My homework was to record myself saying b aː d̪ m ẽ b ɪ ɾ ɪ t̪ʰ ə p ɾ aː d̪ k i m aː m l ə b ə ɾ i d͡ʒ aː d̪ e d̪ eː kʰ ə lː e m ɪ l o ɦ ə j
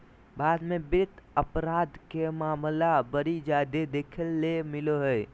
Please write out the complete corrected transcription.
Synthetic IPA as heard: b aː d̪ m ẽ b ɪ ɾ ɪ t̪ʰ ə p ɾ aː d̪ k e m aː m l a b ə ɾ i d͡ʒ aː d̪ e d̪ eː kʰ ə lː e m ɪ l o ɦ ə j